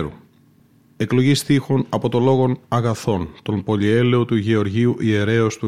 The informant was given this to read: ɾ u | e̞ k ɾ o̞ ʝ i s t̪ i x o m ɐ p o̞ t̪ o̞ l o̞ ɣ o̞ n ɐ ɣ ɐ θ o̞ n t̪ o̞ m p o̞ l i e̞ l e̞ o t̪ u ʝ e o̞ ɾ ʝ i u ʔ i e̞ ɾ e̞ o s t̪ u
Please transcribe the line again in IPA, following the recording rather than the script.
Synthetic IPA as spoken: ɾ u | e̞ k l o̞ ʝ i s t̪ i x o n ɐ p o̞ t̪ o̞ l o̞ ɣ o̞ n ɐ ɣ ɐ θ o̞ n t̪ o̞ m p o̞ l i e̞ l e̞ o t̪ u ʝ e o̞ ɾ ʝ i u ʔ i e̞ ɾ e̞ o s t̪ u